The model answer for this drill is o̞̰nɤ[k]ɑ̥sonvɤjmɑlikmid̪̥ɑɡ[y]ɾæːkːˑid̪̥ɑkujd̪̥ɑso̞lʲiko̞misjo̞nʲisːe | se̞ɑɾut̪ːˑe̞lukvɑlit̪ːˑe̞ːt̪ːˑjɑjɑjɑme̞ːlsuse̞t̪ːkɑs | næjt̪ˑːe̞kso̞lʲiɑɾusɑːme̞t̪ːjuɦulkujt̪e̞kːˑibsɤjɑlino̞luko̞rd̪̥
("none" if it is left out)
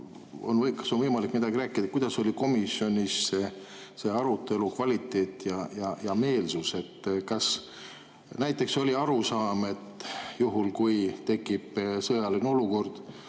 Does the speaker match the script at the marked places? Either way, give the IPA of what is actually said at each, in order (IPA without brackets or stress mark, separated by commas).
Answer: k, i